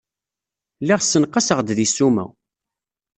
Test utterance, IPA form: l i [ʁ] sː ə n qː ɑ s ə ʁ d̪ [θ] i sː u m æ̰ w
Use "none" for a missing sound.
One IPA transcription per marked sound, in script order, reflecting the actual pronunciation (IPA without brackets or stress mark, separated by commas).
ʁ, ð